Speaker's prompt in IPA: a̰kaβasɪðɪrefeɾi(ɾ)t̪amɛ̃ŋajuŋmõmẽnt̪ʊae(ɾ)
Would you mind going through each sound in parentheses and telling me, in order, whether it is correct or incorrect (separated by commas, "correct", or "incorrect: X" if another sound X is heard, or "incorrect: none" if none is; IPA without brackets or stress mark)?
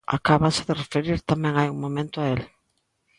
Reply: correct, incorrect: l